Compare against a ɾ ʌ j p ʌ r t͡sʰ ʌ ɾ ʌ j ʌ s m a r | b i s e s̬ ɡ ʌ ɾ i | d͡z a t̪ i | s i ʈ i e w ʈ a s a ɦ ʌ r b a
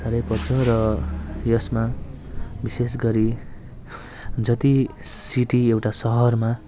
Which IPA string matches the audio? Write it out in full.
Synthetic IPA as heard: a ɾ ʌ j p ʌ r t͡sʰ ʌ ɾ ʌ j ʌ s m a | b i s e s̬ ɡ ʌ ɾ i | d͡z ʌ t̪ i | s i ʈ i e w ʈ a s ʌ ɦ ʌ r m a